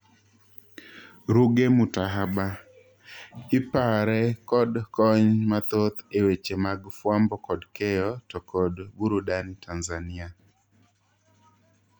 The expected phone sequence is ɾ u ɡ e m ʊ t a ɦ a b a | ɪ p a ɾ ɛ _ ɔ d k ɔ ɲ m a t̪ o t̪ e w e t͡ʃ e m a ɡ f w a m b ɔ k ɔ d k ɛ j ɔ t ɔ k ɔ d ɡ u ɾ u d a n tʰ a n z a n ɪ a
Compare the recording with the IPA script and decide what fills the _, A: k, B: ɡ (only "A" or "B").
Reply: A